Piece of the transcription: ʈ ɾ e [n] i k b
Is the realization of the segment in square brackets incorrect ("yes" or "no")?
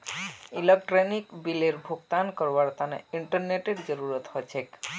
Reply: no